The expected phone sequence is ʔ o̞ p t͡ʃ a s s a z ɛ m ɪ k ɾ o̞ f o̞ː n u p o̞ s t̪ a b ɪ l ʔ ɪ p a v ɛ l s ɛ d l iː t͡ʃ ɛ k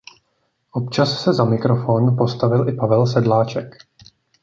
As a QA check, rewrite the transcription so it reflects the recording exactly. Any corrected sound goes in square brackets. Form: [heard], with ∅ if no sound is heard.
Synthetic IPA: ʔ o̞ p t͡ʃ a s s [ɛ] z [a] m ɪ k ɾ o̞ f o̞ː n u p o̞ s t̪ a [v] ɪ l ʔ ɪ p a v ɛ l s ɛ d l [aː] t͡ʃ ɛ k

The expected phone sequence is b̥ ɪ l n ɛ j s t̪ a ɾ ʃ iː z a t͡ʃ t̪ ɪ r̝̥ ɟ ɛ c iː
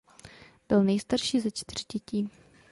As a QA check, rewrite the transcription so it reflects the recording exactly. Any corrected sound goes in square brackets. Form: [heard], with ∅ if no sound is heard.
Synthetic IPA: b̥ ɪ l n ɛ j s t̪ a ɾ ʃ iː z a t͡ʃ t̪ ɪ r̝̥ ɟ ɛ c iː

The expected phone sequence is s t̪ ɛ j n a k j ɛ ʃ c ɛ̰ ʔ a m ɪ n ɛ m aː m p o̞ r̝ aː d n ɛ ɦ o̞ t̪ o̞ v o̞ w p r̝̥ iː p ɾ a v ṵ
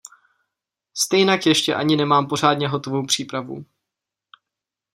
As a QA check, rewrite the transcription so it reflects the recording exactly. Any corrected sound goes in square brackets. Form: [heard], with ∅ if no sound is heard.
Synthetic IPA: s t̪ ɛ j n a k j ɛ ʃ c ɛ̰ ʔ a [ɲ] ɪ n ɛ m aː m p o̞ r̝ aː d [ɲ] ɛ ɦ o̞ t̪ o̞ v o̞ w p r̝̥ iː p ɾ a v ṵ

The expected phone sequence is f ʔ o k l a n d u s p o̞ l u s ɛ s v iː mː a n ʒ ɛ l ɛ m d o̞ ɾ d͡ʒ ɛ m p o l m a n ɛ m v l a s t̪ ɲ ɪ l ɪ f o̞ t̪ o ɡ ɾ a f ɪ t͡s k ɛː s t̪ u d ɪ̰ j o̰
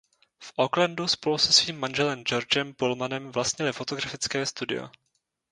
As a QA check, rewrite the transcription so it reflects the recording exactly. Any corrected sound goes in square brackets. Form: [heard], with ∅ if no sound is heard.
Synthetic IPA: f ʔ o k l a n d u s p o̞ l u s ɛ s v iː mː a n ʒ ɛ l ɛ m [d͡ʒ] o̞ ɾ d͡ʒ ɛ m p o l m a n ɛ m v l a s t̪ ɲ ɪ l ɪ f o̞ t̪ o ɡ ɾ a f ɪ t͡s k ɛː s t̪ u d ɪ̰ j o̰

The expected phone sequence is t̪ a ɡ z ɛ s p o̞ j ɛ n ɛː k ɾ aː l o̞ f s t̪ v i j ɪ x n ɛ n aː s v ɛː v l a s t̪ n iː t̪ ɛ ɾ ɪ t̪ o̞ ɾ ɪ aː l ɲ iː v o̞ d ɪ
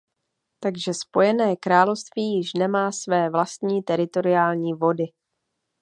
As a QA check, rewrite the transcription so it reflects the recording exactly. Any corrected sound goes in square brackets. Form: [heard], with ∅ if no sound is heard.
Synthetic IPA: t̪ a ɡ [ʒ] ɛ s p o̞ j ɛ n ɛː k ɾ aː l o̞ f s t̪ v [iː] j ɪ [ʃ] n ɛ [m] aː s v ɛː v l a s t̪ [ɲ] iː t̪ ɛ ɾ ɪ t̪ o̞ ɾ ɪ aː l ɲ iː v o̞ d ɪ

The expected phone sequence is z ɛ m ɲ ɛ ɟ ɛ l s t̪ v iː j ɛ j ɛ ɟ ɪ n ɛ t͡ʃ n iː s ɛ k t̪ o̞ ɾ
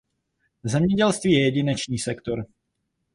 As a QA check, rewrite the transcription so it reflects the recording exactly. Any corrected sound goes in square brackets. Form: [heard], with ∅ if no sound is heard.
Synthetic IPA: z ɛ m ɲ ɛ ɟ ɛ l s t̪ v iː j ɛ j ɛ ɟ ɪ n ɛ t͡ʃ [ɲ] iː s ɛ k t̪ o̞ ɾ

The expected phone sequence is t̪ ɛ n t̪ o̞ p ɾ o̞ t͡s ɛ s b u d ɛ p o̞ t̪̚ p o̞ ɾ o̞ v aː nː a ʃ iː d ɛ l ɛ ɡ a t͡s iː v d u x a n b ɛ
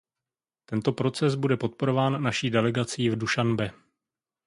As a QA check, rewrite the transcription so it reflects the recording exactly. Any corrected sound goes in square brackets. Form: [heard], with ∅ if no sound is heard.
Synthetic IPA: t̪ ɛ n t̪ o̞ p ɾ o̞ t͡s ɛ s b u d ɛ p o̞ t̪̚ p o̞ ɾ o̞ v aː nː a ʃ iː d ɛ l ɛ ɡ a t͡s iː v d u [ʃ] a n b ɛ

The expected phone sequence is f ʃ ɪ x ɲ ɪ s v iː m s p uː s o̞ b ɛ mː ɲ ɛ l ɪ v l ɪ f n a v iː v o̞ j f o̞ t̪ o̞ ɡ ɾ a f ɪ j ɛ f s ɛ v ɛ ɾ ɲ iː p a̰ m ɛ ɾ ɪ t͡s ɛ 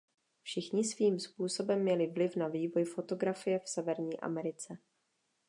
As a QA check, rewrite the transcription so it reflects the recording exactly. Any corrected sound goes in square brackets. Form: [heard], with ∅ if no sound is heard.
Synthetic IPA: f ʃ ɪ x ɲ ɪ s v iː m s p uː s o̞ b ɛ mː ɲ ɛ l ɪ v l ɪ f n a v iː v o̞ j f o̞ t̪ o̞ ɡ ɾ a f ɪ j ɛ f s ɛ v ɛ ɾ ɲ iː [ʔ] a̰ m ɛ ɾ ɪ t͡s ɛ

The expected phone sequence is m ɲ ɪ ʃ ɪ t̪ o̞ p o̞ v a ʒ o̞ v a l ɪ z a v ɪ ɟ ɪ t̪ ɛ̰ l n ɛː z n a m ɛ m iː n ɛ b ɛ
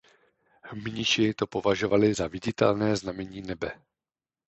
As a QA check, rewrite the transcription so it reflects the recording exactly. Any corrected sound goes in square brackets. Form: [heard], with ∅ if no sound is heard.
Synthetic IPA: m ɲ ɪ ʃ ɪ t̪ o̞ p o̞ v a ʒ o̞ v a l ɪ z a v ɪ ɟ ɪ t̪ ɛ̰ l n ɛː z n a m ɛ [ɲ] iː n ɛ b ɛ

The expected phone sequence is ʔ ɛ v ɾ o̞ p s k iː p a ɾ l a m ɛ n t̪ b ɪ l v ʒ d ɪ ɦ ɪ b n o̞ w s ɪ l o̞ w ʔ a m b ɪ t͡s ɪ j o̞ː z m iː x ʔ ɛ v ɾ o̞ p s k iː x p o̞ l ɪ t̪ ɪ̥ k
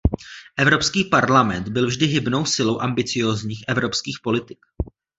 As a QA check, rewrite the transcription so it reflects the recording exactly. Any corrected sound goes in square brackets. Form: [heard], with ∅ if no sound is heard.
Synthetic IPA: ʔ ɛ v ɾ o̞ p s k iː p a ɾ l a m ɛ n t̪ b ɪ l v ʒ d ɪ ɦ ɪ b n o̞ w s ɪ l o̞ w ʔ a m b ɪ t͡s ɪ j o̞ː z [ɲ] iː x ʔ ɛ v ɾ o̞ p s k iː x p o̞ l ɪ t̪ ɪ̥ k

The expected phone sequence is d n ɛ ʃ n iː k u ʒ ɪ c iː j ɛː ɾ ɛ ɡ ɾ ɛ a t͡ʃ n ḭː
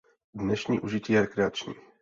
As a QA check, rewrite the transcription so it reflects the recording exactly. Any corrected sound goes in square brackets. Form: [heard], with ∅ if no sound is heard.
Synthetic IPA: d n ɛ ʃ [ɲ] iː [ʔ] u ʒ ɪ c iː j [ɛ] ɾ ɛ [k] ɾ ɛ a t͡ʃ [ɲ] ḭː

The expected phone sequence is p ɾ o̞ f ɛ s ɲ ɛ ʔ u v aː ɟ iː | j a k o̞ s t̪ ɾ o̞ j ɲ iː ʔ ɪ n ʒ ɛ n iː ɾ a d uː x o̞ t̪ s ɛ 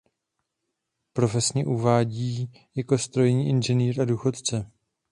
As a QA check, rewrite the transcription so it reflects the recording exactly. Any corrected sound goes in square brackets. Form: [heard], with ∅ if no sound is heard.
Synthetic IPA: p ɾ o̞ f ɛ s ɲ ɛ ʔ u v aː ɟ iː | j a k o̞ s t̪ ɾ o̞ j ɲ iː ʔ ɪ n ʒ ɛ n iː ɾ a d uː x o̞ t̪ [t͡s] ɛ

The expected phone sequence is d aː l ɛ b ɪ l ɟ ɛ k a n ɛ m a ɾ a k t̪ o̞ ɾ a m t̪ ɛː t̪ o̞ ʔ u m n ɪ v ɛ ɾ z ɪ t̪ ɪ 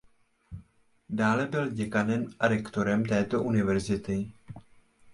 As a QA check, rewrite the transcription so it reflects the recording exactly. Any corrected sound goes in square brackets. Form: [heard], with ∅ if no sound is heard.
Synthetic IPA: d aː l ɛ b ɪ l ɟ ɛ k a n ɛ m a ɾ [ɛ] k t̪ o̞ ɾ [ɛ] m t̪ ɛː t̪ o̞ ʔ u [∅] n ɪ v ɛ ɾ z ɪ t̪ ɪ

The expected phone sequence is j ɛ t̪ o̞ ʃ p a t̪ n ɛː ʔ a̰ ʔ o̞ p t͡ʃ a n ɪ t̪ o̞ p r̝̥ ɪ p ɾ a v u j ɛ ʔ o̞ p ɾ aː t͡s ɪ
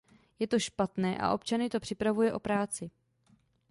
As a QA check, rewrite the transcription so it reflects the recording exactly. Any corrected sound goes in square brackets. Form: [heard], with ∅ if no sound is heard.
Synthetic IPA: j ɛ t̪ o̞ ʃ p a t̪ n ɛː ʔ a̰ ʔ o̞ p t͡ʃ a n ɪ t̪ o̞ p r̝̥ ɪ p ɾ a v u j ɛ ʔ o̞ p ɾ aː t͡s ɪ

